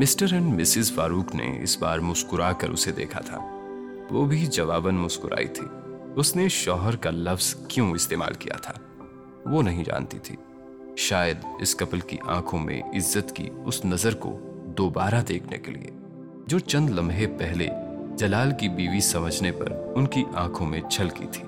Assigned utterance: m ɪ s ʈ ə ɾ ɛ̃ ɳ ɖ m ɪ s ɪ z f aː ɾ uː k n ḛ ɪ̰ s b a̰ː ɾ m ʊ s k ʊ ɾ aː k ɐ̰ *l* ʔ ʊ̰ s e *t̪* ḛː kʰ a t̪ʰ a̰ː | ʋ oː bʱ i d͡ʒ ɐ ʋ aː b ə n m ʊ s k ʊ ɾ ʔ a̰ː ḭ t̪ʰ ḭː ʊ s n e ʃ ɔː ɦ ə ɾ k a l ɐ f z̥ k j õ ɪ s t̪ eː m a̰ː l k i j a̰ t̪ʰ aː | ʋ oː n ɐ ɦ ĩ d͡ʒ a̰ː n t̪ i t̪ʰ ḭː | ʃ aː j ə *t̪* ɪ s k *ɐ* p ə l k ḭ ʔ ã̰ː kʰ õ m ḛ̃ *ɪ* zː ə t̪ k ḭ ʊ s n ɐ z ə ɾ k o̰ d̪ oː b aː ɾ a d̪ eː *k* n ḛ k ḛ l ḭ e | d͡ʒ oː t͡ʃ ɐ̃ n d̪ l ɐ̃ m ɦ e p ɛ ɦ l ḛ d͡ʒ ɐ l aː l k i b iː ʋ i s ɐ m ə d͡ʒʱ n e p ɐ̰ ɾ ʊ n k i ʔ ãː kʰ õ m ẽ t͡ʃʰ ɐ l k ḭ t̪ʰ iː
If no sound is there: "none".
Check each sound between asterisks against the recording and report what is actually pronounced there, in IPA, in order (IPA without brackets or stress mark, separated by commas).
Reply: ɾ, d̪, d̪, ɐ, ɪ, kʰ